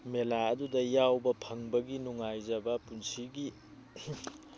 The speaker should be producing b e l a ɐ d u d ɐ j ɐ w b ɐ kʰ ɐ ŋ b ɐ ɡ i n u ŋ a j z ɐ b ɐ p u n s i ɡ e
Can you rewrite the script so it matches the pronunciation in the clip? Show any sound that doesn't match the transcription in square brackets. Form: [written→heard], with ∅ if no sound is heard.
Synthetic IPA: [b→m] e l a ɐ d u d ɐ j [ɐ→a] w b ɐ [kʰ→pʰ] ɐ ŋ b ɐ ɡ i n u ŋ a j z ɐ b ɐ p u n s i ɡ [e→i]